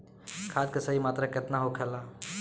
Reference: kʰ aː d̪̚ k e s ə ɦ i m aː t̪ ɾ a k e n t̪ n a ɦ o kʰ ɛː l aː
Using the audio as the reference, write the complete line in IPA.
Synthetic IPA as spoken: kʰ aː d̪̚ k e s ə ɦ i m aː t̪ ɾ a k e t̪ n a ɦ o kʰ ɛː l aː